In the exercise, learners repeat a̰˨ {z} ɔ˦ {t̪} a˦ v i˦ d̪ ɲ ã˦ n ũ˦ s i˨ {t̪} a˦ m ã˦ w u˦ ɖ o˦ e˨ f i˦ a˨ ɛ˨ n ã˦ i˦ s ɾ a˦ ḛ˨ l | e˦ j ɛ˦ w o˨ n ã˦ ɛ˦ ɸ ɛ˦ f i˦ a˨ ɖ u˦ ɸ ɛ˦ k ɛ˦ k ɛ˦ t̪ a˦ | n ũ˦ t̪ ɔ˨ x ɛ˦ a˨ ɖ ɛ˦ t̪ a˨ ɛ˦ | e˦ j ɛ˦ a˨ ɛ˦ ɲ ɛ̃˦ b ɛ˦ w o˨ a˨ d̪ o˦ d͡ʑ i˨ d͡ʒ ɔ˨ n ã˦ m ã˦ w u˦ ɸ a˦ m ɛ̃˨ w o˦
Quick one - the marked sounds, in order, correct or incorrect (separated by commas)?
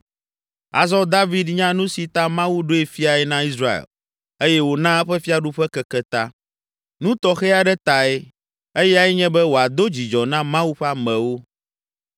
correct, incorrect, correct